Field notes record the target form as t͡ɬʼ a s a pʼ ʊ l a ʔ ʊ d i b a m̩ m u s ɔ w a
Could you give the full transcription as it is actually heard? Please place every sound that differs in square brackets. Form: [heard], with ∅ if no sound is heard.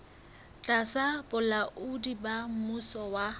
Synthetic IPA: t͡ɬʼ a s a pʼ ʊ l a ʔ ʊ d i b a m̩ m u s ɔ w a